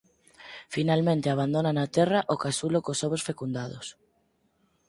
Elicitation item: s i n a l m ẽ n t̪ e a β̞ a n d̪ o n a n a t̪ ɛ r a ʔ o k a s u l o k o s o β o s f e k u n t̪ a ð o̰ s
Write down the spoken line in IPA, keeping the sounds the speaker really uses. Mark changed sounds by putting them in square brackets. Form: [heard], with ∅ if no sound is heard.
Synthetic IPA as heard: [f] i n a l m ẽ n t̪ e a β̞ a n d̪ o n a n a t̪ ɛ r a ʔ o k a s u l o k o s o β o s f e k u n [d̪] a ð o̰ s